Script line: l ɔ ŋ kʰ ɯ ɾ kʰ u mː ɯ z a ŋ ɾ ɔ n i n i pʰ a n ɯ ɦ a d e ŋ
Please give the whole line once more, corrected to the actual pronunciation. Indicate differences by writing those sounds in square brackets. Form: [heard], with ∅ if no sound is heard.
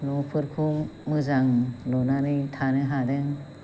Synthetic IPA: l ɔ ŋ [pʰ] ɯ ɾ kʰ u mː ɯ z a ŋ [l] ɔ n [a] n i [tʰ] a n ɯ ɦ a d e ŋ

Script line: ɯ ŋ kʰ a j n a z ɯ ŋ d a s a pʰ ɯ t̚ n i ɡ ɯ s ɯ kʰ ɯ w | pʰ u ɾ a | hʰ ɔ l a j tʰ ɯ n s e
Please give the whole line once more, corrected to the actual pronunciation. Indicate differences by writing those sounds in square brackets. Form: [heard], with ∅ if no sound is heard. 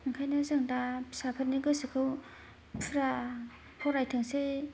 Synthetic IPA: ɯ ŋ kʰ a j n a z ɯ ŋ d a s a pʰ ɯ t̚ n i ɡ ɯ s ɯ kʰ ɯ w | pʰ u ɾ a | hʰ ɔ [ɾ] a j tʰ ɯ [ŋ] s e

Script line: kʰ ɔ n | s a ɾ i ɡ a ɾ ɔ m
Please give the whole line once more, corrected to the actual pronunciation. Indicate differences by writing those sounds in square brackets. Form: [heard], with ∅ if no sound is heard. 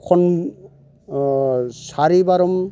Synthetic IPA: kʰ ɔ n | s a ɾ i [b] a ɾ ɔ m

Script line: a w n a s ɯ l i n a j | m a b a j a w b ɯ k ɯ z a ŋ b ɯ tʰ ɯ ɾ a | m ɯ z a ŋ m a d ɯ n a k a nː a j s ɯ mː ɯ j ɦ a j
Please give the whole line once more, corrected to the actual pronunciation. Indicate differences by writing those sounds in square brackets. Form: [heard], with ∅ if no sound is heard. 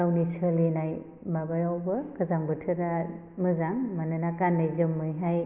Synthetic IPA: a w n [i] s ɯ l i n a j | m a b a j a w b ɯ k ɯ z a ŋ b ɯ tʰ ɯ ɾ a | m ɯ z a ŋ m a [n] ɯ n a k a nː a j [z] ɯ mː ɯ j ɦ a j

